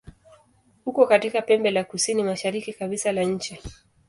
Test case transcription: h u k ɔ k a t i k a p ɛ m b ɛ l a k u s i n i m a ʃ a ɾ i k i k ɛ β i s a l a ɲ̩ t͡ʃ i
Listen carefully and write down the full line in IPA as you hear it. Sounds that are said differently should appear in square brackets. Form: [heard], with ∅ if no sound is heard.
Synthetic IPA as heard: h u k ɔ k a t i k a p ɛ m b ɛ l a k u s i n i m a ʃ a ɾ i k i k [a] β i s a l a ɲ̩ t͡ʃ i